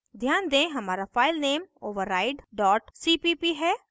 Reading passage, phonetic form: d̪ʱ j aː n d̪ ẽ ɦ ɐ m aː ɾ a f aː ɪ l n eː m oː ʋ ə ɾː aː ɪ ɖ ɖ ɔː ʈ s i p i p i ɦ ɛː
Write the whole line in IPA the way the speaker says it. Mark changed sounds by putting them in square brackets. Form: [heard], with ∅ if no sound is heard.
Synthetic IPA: d̪ʱ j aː n d̪ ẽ ɦ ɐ m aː ɾ a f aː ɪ l n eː m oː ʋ ə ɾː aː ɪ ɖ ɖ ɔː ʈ s i p i p i ɦ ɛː

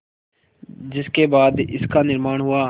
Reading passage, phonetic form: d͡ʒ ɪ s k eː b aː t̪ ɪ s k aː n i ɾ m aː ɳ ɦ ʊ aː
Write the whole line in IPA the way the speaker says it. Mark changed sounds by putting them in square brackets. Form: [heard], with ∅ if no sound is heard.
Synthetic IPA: d͡ʒ ɪ s k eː b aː [d̪] ɪ s k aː n [ɪ] ɾ m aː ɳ ɦ ʊ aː

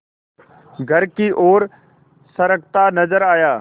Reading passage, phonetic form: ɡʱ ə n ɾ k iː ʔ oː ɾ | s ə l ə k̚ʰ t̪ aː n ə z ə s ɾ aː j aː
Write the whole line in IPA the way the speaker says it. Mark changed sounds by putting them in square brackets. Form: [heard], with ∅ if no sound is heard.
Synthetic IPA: ɡʱ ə [∅] ɾ k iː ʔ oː ɾ | s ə [ɾ] ə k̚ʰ t̪ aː n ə z ə [∅] ɾ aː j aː

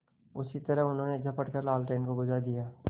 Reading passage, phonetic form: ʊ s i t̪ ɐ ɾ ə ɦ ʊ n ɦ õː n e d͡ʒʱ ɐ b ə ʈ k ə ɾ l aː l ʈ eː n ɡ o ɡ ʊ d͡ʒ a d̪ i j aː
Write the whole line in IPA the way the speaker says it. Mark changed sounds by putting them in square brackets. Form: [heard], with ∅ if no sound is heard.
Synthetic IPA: ʊ s i t̪ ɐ ɾ ə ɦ ʊ n ɦ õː n e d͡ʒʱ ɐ [p] ə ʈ k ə ɾ l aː l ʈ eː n [k] o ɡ ʊ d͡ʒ a d̪ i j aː

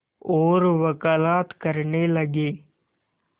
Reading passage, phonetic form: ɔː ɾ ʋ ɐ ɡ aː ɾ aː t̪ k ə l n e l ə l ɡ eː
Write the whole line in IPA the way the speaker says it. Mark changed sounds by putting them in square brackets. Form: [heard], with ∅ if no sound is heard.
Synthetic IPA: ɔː ɾ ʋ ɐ [k] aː [l] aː t̪ k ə [ɾ] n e l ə [∅] ɡ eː

